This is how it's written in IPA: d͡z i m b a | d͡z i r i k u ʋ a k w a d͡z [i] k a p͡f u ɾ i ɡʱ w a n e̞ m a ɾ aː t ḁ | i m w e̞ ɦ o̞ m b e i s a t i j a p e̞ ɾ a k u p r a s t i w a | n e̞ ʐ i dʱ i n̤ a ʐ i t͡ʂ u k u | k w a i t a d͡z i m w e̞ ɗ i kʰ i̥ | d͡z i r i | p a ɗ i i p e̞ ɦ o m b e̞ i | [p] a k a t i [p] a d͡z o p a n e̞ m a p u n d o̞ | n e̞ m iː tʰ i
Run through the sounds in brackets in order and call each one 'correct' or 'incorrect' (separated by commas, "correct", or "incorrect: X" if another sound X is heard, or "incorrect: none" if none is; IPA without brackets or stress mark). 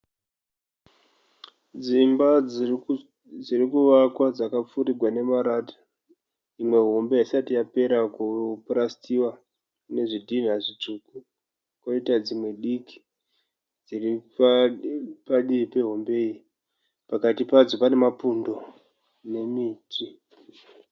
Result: incorrect: a, correct, correct